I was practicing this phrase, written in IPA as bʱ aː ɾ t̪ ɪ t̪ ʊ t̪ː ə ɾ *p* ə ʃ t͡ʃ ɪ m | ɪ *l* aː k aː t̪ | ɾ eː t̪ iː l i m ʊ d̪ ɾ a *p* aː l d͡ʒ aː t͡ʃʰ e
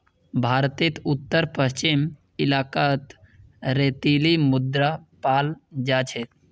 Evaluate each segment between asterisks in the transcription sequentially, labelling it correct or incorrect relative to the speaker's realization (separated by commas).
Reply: correct, correct, correct